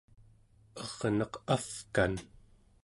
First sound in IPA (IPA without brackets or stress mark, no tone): ʌ